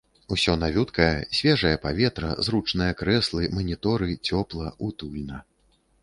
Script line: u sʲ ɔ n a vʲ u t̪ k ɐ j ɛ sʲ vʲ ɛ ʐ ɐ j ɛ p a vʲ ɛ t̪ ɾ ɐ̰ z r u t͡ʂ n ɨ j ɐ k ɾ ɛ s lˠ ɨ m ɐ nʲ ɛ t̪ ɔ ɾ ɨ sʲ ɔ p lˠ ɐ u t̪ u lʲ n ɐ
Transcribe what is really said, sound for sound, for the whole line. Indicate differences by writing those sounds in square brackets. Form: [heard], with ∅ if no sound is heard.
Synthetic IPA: u sʲ ɔ n a vʲ u t̪ k ɐ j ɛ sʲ vʲ ɛ ʐ ɐ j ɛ p a vʲ ɛ t̪ ɾ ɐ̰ z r u t͡ʂ n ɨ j ɐ k ɾ ɛ s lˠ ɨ m ɐ nʲ [i] t̪ ɔ ɾ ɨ [t͡sʲ] ɔ p lˠ ɐ u t̪ u lʲ n ɐ